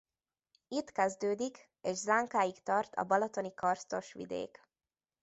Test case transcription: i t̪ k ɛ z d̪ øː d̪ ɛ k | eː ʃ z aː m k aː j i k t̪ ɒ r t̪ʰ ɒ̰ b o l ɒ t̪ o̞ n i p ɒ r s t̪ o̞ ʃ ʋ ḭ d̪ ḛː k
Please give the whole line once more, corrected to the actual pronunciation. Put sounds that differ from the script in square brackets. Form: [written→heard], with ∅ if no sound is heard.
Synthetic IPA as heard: i t̪ k ɛ z d̪ øː d̪ [ɛ→i] k | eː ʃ z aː [m→ŋ] k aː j i k t̪ ɒ r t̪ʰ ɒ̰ b [o→ɒ] l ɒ t̪ o̞ n i [p→k] ɒ r s t̪ o̞ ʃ ʋ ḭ d̪ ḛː k